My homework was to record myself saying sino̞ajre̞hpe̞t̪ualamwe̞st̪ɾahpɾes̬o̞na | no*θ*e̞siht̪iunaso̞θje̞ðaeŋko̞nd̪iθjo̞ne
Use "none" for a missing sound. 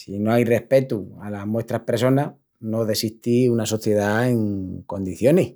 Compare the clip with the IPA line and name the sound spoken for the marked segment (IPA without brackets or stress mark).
ð